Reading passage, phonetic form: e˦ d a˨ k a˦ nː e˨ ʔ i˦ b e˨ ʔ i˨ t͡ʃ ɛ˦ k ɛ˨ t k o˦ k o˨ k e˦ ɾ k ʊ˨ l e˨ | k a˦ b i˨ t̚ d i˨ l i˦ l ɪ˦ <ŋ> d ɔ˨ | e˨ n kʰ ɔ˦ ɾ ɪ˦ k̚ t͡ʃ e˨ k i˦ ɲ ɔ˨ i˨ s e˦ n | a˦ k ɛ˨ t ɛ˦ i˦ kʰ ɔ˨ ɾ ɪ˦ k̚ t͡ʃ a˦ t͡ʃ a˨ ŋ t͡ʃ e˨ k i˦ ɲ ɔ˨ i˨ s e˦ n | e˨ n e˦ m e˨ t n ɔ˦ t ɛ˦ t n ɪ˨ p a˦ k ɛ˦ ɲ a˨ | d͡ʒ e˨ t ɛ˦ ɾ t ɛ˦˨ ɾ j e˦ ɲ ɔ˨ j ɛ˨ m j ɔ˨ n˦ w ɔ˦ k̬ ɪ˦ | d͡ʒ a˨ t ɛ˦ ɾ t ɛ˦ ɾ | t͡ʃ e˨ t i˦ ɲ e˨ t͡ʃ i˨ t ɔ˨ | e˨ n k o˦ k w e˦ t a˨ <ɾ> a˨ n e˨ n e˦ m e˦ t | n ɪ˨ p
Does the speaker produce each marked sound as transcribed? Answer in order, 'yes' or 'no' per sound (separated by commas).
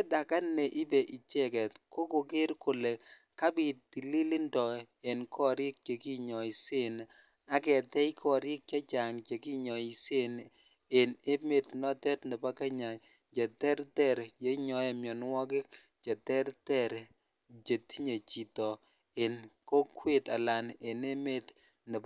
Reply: no, no